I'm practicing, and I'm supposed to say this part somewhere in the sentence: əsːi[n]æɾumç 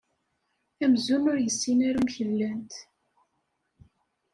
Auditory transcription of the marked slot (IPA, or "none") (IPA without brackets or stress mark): n